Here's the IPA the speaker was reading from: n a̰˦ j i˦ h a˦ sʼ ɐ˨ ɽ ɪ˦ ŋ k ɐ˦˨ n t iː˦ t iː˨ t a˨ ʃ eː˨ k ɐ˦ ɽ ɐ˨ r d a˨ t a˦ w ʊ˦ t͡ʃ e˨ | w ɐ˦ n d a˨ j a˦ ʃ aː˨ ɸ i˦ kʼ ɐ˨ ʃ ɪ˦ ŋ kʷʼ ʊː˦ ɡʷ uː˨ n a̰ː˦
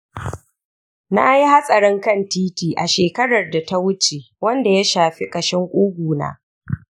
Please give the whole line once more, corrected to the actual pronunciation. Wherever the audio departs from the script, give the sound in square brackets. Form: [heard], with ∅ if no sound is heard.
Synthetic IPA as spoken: n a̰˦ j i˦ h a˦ sʼ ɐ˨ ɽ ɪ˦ ŋ k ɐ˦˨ n t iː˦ t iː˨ [ʔ] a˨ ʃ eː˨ k ɐ˦ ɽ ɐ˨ r d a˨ t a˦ w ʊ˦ t͡ʃ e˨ | w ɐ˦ n d a˨ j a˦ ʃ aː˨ ɸ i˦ kʼ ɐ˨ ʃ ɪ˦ ŋ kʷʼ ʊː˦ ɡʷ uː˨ n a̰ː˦